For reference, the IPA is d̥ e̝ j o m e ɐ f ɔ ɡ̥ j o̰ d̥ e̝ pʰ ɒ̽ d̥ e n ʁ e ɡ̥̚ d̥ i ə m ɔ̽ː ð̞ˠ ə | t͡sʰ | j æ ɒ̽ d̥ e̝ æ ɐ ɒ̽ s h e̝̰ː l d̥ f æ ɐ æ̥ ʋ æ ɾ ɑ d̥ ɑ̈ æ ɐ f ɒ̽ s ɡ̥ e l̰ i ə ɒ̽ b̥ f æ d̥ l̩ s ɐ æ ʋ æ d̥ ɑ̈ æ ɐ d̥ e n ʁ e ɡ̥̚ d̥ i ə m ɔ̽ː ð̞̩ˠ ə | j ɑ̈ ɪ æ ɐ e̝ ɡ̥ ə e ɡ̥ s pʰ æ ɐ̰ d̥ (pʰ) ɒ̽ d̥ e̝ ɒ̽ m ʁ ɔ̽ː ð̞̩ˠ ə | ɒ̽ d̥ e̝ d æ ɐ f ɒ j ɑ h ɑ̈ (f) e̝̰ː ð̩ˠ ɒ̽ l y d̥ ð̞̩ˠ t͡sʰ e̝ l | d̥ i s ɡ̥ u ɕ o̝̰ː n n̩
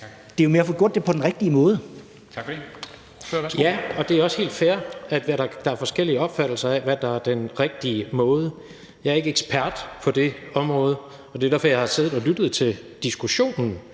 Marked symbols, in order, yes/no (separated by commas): yes, no